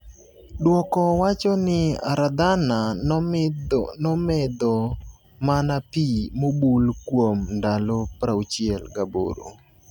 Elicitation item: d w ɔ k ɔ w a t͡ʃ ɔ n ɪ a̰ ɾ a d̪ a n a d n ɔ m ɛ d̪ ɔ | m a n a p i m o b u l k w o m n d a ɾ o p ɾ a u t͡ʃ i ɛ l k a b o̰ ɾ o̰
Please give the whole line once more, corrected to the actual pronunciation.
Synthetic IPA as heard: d w ɔ k ɔ w a t͡ʃ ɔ n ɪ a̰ ɾ a d̪ a n a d n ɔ m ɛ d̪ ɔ | m a n a p i m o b u l k w o m n d a l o p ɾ a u t͡ʃ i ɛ l ɡ a b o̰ ɾ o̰